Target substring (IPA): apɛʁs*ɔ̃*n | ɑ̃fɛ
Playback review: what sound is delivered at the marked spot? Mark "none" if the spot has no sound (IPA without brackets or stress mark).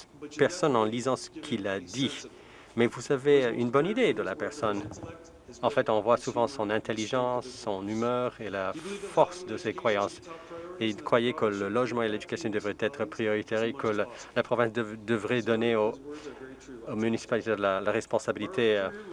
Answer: ɔ